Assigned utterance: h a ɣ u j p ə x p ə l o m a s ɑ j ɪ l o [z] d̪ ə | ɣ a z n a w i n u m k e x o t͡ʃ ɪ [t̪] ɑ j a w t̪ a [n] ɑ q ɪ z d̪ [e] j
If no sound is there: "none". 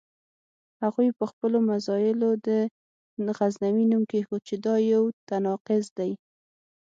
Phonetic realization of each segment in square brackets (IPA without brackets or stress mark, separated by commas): none, d̪, n, a